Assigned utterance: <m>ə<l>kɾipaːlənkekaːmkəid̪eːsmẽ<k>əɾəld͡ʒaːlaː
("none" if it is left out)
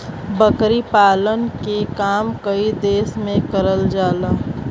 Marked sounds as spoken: b, none, k

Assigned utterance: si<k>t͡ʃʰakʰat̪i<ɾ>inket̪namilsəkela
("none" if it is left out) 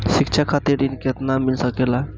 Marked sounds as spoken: k, ɾ

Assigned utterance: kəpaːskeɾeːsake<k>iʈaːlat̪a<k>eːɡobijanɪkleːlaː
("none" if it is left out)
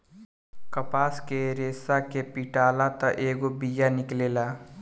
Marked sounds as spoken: p, ʔ

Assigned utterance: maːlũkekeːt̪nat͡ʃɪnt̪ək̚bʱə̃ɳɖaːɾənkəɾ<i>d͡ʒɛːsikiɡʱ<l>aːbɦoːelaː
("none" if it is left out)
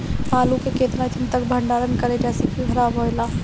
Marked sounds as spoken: e, ɾ

